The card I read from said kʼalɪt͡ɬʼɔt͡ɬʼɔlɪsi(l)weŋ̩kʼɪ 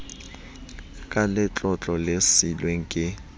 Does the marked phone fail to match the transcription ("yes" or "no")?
no